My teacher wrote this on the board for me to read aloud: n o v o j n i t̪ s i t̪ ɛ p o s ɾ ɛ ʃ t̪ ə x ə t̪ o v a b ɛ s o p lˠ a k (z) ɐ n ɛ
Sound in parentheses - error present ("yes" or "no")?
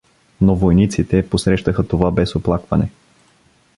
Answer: yes